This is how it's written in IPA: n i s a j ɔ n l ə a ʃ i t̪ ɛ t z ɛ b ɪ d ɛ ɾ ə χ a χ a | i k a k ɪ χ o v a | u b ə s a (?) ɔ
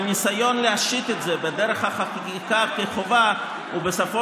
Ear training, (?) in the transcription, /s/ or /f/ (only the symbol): f